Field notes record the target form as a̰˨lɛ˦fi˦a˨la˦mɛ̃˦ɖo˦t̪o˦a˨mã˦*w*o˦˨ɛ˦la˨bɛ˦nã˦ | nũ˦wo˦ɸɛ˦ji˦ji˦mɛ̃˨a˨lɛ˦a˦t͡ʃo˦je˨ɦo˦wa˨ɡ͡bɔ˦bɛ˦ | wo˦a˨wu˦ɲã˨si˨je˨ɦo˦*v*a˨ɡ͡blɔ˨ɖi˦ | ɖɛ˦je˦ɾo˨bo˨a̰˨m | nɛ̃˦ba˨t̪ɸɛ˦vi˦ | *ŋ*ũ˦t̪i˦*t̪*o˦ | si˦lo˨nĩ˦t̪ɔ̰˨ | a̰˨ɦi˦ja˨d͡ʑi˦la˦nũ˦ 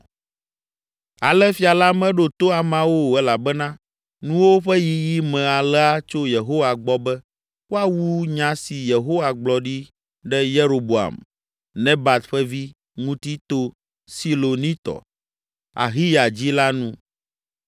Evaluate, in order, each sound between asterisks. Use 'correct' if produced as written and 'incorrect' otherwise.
correct, incorrect: w, correct, correct

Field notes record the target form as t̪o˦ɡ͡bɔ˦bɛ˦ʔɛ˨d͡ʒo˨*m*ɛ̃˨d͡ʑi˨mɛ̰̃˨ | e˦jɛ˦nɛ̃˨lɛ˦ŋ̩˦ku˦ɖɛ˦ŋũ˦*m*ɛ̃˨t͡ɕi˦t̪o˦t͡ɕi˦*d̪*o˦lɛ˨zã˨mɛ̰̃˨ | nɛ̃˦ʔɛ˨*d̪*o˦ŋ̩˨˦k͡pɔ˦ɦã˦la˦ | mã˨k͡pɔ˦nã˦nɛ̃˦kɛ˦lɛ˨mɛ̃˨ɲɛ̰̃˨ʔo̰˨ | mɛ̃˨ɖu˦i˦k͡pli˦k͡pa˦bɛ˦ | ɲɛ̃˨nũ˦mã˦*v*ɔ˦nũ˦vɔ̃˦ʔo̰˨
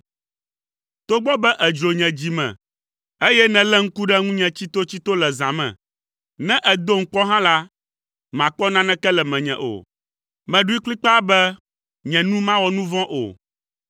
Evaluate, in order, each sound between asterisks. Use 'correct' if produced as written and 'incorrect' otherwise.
incorrect: ɲ, incorrect: ɲ, incorrect: t̪, correct, incorrect: w

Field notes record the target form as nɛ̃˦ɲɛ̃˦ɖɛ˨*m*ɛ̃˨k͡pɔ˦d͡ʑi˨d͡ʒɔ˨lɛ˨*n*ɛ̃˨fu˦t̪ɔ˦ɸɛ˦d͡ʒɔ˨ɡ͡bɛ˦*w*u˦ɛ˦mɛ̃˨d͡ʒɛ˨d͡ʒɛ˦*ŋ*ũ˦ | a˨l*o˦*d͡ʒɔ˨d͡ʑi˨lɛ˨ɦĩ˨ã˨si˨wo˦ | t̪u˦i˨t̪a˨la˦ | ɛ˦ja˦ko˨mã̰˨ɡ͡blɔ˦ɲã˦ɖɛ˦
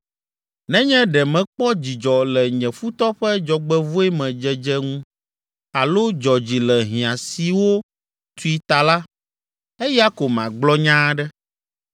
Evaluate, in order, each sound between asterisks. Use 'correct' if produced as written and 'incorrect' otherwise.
correct, incorrect: ɲ, incorrect: v, correct, correct

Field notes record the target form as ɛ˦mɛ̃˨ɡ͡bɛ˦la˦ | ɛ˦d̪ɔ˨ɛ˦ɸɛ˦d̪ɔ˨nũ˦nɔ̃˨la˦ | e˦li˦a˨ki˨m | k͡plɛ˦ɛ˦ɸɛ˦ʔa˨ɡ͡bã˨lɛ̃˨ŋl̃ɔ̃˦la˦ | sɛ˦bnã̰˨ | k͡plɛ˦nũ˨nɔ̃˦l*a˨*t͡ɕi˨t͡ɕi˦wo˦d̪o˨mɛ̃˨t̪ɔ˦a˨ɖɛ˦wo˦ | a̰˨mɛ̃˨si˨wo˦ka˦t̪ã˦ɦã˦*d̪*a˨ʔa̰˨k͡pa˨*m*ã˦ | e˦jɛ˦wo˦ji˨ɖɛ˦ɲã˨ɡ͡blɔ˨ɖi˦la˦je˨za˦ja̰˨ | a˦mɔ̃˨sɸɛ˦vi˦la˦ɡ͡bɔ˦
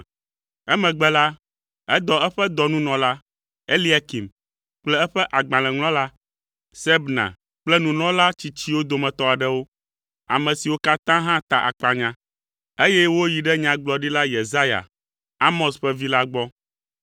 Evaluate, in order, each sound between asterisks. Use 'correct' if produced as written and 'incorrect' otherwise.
incorrect: a˦, incorrect: t̪, incorrect: ɲ

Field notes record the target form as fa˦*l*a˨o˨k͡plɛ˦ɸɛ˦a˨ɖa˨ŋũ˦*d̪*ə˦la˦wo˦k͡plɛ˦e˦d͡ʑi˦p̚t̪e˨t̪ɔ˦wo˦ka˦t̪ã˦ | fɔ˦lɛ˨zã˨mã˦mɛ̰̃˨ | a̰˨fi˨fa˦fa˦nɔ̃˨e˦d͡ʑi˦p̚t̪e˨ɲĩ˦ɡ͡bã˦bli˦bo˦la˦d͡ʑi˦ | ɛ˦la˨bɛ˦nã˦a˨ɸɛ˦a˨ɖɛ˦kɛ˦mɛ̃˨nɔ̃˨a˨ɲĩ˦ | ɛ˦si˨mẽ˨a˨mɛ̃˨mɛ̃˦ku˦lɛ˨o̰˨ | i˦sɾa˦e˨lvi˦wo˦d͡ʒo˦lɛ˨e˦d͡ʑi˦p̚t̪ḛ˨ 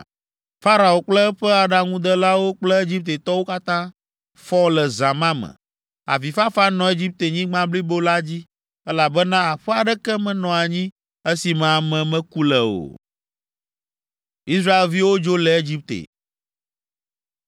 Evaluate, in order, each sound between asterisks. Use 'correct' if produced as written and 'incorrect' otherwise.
incorrect: ɾ, correct

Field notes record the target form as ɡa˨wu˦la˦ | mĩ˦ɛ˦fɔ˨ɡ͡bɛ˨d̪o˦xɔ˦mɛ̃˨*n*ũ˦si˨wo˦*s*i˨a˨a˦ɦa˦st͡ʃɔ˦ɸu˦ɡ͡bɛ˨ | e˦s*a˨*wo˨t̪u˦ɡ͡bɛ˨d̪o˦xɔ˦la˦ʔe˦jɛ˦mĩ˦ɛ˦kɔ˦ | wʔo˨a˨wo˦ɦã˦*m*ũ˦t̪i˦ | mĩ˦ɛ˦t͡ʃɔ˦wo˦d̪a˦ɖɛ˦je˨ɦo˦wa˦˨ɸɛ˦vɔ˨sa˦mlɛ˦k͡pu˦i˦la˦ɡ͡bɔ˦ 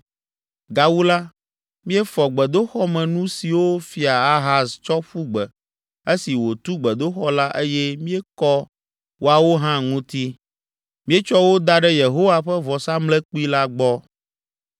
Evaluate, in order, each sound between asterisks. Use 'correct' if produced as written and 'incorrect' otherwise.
correct, incorrect: f, incorrect: i˨, incorrect: ŋ

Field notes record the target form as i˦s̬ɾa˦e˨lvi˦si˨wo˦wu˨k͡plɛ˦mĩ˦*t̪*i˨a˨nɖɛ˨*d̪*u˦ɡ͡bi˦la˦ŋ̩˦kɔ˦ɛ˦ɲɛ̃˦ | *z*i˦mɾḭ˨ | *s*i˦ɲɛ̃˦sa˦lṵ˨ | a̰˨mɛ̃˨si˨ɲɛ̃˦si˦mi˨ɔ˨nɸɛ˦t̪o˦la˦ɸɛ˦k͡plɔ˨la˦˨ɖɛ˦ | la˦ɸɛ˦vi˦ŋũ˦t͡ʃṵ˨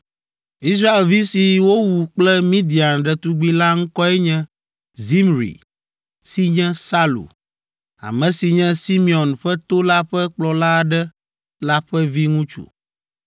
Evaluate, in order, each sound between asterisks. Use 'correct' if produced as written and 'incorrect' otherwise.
incorrect: d̪, incorrect: t̪, correct, correct

